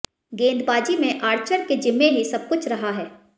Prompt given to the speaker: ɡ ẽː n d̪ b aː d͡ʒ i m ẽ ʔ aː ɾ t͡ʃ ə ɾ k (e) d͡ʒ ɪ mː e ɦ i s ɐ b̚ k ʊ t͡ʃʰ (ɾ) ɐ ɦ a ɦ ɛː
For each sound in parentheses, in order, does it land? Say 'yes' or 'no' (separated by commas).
yes, yes